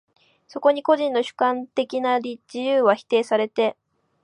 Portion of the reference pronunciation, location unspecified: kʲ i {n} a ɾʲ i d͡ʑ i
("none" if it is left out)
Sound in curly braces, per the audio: n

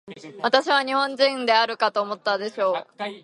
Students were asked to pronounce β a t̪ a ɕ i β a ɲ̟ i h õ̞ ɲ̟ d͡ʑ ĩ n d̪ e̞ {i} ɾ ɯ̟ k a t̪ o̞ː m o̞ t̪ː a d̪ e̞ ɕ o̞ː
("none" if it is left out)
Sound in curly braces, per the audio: a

